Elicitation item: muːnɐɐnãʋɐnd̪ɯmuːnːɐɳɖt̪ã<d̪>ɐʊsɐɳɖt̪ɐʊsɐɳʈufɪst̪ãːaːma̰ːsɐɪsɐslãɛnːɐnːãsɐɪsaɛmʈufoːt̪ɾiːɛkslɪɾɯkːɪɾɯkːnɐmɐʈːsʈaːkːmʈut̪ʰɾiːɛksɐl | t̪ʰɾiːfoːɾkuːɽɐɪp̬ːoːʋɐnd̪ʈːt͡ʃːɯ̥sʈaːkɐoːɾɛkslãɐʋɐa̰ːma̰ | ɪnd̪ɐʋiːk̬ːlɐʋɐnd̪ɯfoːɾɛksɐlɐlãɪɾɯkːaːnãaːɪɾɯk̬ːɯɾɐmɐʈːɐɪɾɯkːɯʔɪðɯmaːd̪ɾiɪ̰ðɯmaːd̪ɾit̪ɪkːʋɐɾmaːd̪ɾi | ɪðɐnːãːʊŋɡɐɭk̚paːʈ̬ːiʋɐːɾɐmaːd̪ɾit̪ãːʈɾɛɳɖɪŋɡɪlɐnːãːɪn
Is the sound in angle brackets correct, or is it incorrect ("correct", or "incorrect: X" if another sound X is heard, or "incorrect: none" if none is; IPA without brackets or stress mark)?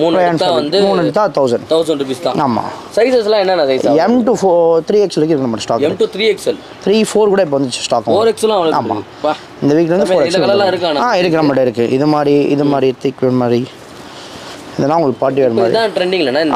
incorrect: t̪